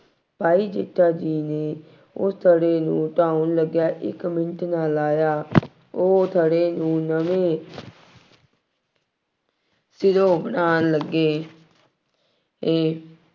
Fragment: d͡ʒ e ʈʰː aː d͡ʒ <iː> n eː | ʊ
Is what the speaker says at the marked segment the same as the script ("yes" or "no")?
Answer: yes